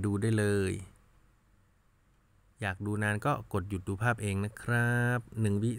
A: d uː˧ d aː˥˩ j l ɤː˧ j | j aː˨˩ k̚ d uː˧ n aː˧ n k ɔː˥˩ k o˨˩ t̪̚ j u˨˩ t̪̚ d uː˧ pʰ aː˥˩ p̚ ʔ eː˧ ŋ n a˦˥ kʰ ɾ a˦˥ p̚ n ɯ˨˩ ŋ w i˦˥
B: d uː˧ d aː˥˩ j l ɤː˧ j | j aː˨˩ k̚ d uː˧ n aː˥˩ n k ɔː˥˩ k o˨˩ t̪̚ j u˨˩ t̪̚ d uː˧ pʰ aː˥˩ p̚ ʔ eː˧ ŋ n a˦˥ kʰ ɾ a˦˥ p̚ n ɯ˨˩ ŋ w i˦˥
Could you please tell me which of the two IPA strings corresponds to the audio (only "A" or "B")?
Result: A